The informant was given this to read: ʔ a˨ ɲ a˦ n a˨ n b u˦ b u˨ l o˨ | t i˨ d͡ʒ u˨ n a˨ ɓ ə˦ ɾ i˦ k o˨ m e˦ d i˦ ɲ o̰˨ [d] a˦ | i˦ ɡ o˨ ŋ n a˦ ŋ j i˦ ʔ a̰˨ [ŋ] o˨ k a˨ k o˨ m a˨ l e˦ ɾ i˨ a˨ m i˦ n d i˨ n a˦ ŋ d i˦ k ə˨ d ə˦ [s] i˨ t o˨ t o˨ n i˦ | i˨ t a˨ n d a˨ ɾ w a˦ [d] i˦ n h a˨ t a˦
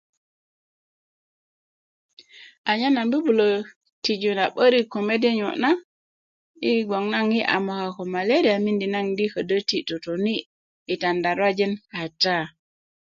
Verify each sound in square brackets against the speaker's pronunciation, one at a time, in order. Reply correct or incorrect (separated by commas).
incorrect, incorrect, incorrect, incorrect